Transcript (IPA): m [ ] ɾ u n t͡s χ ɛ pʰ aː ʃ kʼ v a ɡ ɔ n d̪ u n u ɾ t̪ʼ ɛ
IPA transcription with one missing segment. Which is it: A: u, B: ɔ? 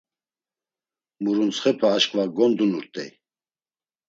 A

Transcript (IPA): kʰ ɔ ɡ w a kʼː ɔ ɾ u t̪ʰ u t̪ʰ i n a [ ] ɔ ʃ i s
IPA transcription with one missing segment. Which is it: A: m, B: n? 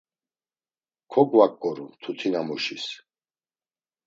A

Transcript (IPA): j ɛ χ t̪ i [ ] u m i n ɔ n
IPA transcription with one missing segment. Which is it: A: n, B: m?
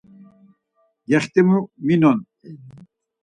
B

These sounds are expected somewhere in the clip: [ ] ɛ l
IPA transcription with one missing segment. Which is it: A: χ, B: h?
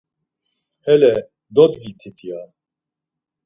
B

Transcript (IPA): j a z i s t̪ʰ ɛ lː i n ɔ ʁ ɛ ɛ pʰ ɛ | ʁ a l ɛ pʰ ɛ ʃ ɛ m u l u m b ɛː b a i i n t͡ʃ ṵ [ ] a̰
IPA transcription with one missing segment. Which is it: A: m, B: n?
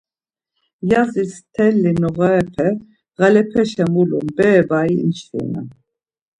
B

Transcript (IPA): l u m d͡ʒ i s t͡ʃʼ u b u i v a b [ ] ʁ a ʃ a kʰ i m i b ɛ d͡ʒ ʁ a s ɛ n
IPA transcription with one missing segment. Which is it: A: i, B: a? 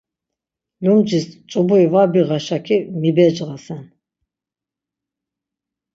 A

